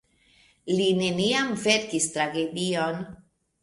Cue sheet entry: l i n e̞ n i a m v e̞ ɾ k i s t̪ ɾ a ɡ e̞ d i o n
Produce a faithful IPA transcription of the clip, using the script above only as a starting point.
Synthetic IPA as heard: l i n e̞ n i a m v e̞ ɾ k i s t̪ ɾ a ɡ e̞ d i o n